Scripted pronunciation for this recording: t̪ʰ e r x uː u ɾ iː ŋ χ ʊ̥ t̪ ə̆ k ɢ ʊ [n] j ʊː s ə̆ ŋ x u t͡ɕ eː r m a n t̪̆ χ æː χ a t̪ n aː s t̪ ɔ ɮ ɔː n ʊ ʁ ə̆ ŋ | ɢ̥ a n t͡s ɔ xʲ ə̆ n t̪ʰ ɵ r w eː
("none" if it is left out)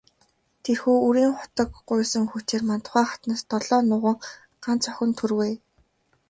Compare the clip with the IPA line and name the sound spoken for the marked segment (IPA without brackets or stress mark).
none